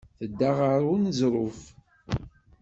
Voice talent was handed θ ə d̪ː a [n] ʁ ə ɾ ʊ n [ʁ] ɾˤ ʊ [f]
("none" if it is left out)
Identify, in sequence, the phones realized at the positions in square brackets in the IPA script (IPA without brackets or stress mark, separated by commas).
none, z, f